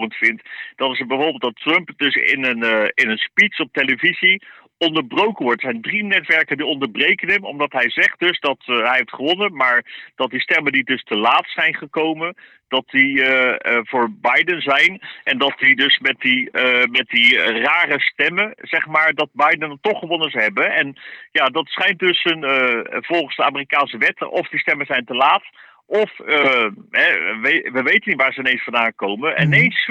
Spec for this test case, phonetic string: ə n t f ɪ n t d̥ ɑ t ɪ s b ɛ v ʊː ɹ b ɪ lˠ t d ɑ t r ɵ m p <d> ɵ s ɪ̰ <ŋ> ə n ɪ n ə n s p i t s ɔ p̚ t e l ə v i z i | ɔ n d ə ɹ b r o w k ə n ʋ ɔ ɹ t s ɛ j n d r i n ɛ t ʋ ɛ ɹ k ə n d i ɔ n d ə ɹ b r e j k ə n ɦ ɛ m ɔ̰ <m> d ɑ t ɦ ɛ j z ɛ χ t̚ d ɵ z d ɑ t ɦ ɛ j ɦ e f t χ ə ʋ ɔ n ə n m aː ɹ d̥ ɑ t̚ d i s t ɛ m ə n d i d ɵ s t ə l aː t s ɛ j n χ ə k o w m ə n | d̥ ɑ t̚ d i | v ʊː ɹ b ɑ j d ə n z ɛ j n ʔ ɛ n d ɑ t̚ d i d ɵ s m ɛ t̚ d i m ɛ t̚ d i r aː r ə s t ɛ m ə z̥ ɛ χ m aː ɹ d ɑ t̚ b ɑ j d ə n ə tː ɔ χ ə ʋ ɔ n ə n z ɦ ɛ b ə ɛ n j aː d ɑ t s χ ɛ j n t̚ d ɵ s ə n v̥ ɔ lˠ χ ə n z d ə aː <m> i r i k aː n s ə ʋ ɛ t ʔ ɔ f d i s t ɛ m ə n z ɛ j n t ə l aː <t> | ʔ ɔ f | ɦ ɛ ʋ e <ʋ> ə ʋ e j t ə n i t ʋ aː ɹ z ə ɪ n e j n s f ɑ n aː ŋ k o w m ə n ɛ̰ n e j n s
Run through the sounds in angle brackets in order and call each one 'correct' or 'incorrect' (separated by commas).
correct, incorrect, correct, correct, correct, correct